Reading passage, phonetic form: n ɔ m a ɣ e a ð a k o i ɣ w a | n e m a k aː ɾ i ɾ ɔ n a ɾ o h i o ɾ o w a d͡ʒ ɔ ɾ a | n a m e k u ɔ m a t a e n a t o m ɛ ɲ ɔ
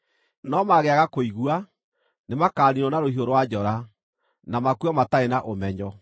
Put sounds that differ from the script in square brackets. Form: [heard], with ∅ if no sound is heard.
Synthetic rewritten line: n ɔ m a ɣ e a [ɣ] a k o i ɣ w a | n e m a k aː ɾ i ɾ ɔ n a ɾ o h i o ɾ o w a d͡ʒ ɔ ɾ a | n a m [a] k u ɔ m a t a e n a [ʔ] o m ɛ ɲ ɔ

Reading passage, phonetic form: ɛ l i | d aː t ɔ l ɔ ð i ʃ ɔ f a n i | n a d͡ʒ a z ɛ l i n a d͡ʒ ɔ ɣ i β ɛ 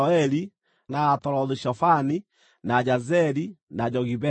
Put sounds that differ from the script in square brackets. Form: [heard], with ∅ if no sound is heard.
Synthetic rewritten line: ɛ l i | [n] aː t ɔ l ɔ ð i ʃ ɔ f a n i | n a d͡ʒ a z ɛ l i n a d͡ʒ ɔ ɣ i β ɛ

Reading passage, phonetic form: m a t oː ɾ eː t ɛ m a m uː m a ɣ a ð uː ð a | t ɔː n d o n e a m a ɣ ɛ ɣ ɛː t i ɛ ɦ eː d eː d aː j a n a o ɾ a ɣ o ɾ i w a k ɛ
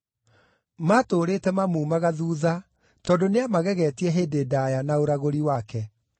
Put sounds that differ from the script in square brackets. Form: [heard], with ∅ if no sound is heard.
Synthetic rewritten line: m a t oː ɾ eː t ɛ m a m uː m a ɣ a ð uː ð a | t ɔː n d o n e a m a ɣ ɛ ɣ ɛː t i ɛ ɦ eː d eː d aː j a n a o ɾ a ɣ o ɾ i w a k ɛ

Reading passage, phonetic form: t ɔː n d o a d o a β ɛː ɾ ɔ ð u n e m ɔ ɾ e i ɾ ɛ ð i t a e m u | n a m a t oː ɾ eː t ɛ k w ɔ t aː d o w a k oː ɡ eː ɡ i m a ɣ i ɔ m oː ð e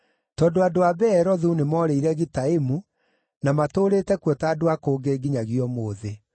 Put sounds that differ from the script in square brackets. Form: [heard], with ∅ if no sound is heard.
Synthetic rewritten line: t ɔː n d o a d o a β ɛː ɾ ɔ ð u n e m ɔ ɾ e i ɾ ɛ [ɣ] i t a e m u | n a m a t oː ɾ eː t ɛ k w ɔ t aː d o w a k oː ɡ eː ɡ i [ɲ] a ɣ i ɔ m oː ð e

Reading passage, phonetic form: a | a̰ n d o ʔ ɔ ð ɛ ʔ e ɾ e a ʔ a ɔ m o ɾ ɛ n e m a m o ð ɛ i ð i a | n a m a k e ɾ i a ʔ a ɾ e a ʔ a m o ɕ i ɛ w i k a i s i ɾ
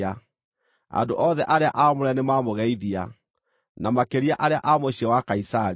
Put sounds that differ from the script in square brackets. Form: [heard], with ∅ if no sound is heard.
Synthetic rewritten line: a | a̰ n d o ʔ ɔ ð ɛ ʔ [a] ɾ e a ʔ a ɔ m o ɾ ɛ n e m a m o [ɣ] ɛ i ð i a | n a m a k e ɾ i a ʔ a ɾ e a ʔ a m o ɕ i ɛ w [a] k a i s [a] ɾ

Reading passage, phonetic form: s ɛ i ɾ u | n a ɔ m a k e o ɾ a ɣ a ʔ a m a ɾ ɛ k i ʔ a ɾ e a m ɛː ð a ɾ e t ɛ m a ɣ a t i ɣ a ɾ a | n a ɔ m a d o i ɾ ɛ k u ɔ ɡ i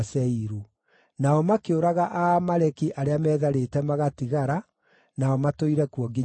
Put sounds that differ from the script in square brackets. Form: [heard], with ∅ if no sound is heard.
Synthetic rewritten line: s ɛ i ɾ u | n a ɔ m a k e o ɾ a ɣ a ʔ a m a ɾ ɛ k i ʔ a ɾ e a m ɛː ð a ɾ e t ɛ m a ɣ a t i ɣ a ɾ a | n a ɔ m a [t] o i ɾ ɛ k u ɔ ɡ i

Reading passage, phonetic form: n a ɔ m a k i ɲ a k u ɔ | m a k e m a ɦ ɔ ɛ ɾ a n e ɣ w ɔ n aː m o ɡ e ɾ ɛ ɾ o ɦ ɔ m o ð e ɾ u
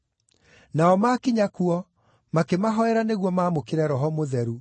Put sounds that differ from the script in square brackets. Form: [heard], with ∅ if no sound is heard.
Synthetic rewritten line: n a ɔ m a k i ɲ a k u ɔ | m a k e m a ɦ ɔ ɛ ɾ a n e ɣ w ɔ [m] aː m o [k] e ɾ ɛ ɾ [ɔ] ɦ ɔ m o ð [ɛ] ɾ u

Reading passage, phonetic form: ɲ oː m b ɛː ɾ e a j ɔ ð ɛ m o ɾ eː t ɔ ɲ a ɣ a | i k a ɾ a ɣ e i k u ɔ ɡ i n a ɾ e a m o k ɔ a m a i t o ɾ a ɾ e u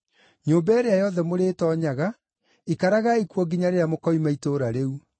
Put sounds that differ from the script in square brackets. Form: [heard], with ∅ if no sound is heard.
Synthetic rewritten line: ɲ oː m b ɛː ɾ e a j ɔ ð ɛ m o ɾ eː t ɔ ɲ a ɣ a | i k a ɾ a ɣ [a] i k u ɔ ɡ i [ɲ] a ɾ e a m o k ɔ [i] m a i t o ɾ a ɾ e u

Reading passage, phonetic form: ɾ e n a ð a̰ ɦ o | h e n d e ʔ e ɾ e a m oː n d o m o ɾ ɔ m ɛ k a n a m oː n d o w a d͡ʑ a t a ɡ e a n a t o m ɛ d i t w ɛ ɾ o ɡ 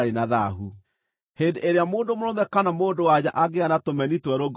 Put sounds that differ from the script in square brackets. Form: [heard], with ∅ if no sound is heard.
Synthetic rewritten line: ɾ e n a ð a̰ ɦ [u] | h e n d e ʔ e ɾ e a m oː n d o m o ɾ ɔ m ɛ k a n a m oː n d o w a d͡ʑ a [ʔ] a ɡ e a n a t o m ɛ [n] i t w ɛ ɾ o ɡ

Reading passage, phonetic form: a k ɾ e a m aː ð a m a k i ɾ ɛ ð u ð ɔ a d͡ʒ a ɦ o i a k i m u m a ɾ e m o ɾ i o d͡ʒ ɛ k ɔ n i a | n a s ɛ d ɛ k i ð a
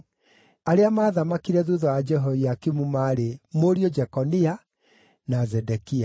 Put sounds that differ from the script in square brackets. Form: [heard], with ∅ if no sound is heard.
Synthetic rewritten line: a [∅] ɾ e a m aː ð a m a k i ɾ ɛ ð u ð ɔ a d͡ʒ [ɛ] ɦ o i a k i m u m a ɾ e m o ɾ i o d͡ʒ ɛ k ɔ n i a | n a [z] ɛ d ɛ k i [∅] a

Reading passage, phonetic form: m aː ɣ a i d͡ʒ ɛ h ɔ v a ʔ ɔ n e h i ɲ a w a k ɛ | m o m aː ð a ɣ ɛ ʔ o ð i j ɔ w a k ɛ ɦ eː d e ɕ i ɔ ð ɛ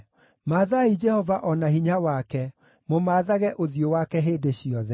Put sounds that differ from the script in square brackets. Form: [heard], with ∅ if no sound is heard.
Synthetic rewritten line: m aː [ð] a i d͡ʒ ɛ h ɔ v a ʔ ɔ n [a] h i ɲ a w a k ɛ | m o m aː ð a ɣ ɛ ʔ o ð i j [o] w a k ɛ ɦ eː d e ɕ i ɔ ð ɛ

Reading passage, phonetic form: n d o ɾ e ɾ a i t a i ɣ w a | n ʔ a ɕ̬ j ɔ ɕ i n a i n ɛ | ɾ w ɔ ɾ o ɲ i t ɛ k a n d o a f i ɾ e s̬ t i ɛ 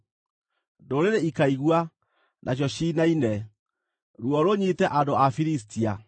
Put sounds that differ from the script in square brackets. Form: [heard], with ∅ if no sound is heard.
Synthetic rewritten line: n d o ɾ e ɾ [e] i [k] a i ɣ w a | n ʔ a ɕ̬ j ɔ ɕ i n a i n ɛ | ɾ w ɔ ɾ o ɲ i t ɛ [ʔ] a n d o a f i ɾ [i] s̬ t i [a]

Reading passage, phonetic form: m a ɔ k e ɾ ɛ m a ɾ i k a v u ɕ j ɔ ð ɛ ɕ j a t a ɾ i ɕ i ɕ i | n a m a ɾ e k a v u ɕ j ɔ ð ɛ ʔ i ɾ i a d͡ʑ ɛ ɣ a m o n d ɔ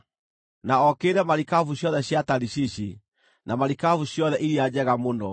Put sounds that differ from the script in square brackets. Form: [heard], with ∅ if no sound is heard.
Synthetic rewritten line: [n] a ɔ k e ɾ ɛ m a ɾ i k a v u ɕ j ɔ ð ɛ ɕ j a t a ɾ i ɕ i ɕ i | n a m a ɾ [i] k a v u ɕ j ɔ ð ɛ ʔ i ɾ i a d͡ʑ ɛ ɣ a m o n d ɔ

